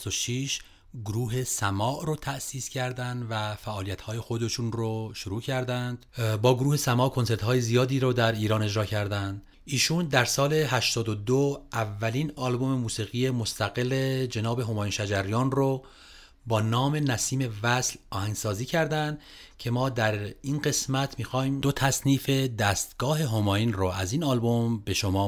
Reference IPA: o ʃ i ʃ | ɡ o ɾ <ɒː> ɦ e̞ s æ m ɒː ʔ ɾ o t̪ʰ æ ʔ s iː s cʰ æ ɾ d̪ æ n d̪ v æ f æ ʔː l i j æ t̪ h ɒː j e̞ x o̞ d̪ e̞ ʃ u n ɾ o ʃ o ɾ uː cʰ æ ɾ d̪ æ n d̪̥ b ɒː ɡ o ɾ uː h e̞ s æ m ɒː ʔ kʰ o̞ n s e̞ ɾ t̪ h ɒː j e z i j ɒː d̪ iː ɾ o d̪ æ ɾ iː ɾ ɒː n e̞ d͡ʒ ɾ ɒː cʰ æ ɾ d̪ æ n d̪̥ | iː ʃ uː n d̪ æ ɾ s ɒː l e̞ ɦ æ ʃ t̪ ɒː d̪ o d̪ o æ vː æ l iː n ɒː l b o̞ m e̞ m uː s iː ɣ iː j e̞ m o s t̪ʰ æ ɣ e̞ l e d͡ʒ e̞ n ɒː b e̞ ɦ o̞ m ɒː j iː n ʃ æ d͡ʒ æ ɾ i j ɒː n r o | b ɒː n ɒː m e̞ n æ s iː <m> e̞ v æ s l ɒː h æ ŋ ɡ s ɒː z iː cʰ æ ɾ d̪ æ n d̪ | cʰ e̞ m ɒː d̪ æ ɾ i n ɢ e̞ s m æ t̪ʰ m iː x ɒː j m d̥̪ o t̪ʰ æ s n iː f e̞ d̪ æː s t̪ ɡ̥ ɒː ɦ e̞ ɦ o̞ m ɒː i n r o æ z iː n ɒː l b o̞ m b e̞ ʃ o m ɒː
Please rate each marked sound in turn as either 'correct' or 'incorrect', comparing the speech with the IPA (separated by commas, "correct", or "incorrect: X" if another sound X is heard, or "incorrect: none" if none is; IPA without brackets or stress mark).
incorrect: uː, correct